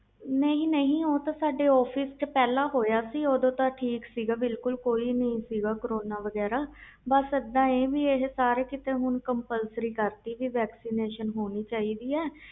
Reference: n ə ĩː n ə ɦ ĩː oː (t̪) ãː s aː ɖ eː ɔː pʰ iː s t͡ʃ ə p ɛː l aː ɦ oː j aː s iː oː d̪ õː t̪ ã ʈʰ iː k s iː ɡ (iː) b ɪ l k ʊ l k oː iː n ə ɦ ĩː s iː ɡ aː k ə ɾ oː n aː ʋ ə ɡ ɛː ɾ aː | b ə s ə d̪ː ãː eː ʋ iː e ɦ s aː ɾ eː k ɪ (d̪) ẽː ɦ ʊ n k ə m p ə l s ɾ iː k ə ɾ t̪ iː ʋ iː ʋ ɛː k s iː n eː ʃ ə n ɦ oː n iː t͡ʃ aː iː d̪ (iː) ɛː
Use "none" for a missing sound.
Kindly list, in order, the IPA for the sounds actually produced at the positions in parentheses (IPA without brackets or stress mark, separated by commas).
t̪, aː, t̪, iː